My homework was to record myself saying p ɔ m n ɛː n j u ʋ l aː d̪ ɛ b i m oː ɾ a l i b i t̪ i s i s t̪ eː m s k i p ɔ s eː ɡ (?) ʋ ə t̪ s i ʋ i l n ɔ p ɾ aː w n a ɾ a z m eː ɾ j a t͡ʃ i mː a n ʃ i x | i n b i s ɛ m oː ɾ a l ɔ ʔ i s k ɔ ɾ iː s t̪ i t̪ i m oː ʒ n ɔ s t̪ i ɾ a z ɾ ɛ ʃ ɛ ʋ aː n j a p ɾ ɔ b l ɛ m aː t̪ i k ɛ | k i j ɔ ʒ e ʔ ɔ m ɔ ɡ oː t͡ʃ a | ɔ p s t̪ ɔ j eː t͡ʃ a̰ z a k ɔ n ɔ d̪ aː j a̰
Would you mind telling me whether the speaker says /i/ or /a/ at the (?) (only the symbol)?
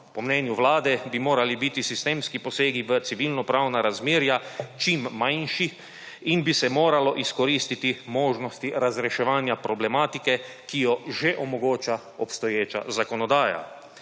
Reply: i